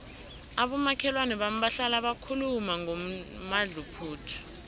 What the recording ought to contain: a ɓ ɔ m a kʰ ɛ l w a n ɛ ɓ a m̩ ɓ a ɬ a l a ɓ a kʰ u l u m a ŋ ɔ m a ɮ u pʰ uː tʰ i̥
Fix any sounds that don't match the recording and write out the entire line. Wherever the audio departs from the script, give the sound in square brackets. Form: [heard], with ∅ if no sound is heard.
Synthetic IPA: a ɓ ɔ m a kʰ ɛ l w a n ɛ ɓ a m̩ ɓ a ɬ a l a ɓ a kʰ u l u m a ŋ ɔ m a ɮ u pʰ uː tʰ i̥